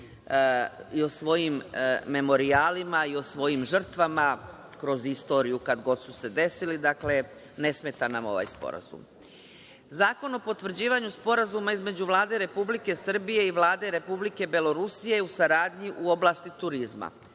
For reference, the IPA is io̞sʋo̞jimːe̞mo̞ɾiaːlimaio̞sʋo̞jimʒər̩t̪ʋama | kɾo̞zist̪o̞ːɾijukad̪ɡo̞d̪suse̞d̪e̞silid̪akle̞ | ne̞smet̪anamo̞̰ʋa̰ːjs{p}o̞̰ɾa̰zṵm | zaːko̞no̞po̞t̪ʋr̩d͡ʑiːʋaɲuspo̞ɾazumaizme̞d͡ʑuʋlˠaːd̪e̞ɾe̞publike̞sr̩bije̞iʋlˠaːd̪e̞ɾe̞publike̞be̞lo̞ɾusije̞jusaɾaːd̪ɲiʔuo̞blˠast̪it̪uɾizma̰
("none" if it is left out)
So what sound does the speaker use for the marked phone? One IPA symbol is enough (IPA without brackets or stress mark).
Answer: p